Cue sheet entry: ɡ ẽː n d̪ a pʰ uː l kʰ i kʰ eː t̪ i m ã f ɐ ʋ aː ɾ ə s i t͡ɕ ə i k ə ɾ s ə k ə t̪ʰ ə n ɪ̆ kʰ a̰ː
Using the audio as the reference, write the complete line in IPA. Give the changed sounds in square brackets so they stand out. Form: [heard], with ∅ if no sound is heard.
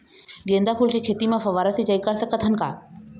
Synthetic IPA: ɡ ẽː n d̪ a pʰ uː l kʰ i kʰ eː t̪ i m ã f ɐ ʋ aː ɾ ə s i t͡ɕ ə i k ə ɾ s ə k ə t̪ʰ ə n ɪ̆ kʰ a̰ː